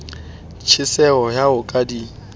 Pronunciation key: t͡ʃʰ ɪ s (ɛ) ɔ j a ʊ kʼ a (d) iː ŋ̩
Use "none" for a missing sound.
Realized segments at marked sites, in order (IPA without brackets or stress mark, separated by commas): ɛ, d